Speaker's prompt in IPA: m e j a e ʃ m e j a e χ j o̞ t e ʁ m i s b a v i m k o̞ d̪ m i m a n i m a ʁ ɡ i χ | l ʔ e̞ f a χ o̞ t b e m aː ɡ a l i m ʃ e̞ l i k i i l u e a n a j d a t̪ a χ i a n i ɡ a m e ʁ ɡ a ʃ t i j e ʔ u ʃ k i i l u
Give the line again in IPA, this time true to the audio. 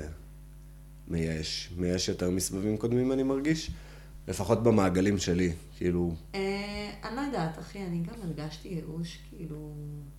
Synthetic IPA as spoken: m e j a e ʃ m e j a e ʃ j o̞ t e ʁ m i s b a v i m k o̞ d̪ m i m a n i m a ʁ ɡ i ʃ | l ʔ e̞ f a χ o̞ t b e m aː ɡ a l i m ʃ e̞ l i k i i l u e a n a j d a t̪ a χ i a n i ɡ a m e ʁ ɡ a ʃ t i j e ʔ u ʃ k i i l u